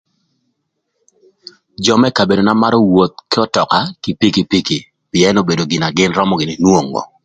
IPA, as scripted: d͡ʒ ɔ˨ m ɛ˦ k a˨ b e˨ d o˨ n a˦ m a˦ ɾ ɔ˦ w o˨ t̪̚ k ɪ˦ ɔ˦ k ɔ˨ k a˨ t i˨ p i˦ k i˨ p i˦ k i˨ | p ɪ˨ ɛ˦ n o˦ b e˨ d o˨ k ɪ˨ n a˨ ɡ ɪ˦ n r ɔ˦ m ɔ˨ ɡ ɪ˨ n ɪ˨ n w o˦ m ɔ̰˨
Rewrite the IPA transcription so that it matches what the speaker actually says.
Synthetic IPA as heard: d͡ʒ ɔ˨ m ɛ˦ k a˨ b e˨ d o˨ n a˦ m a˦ ɾ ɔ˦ w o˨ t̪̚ k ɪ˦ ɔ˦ t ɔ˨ k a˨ k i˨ p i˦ k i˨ p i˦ k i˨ | p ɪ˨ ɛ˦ n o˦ b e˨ d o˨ ɡ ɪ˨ n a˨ ɡ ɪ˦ n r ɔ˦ m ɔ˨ ɡ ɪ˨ n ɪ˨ n w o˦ ŋ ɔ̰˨